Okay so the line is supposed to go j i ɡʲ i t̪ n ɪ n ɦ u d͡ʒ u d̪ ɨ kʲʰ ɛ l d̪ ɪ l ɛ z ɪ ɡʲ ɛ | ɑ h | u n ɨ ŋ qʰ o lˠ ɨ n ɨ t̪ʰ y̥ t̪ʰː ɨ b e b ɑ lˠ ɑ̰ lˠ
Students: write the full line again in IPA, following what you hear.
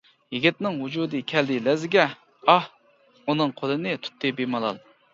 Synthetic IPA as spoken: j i ɡʲ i t̪ n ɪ ŋ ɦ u d͡ʒ u d̪ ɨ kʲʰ ɛ l d̪ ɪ l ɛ z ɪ ɡʲ ɛ | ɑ h | u n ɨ ŋ qʰ o lˠ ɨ n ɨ t̪ʰ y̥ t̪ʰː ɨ b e m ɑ lˠ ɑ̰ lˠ